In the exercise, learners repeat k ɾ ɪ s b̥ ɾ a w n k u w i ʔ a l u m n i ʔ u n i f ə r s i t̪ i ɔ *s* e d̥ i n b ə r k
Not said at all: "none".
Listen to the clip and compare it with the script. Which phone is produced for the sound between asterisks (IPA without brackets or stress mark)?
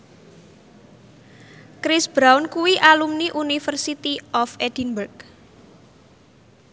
f